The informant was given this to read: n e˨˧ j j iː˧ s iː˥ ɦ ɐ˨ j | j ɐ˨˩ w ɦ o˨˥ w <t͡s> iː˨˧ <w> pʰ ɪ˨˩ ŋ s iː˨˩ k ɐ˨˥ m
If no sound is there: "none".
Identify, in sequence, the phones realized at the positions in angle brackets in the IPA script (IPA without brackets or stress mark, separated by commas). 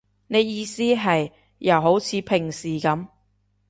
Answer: t͡sʰ, none